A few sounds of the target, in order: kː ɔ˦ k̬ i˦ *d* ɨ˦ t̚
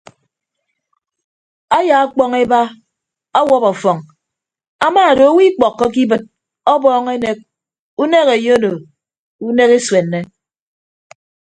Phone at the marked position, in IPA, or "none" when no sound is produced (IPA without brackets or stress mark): b